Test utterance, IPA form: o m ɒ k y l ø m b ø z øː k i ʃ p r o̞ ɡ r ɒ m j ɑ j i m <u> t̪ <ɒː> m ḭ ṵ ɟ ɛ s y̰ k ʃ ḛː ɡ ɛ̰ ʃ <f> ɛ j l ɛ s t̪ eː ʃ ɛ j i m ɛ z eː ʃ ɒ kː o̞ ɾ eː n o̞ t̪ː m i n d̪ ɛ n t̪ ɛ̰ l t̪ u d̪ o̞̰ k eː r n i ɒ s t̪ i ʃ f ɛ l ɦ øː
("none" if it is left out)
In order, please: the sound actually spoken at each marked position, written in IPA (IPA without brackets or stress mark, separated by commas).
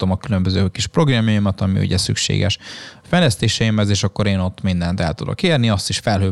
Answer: ɒ, ɒ, f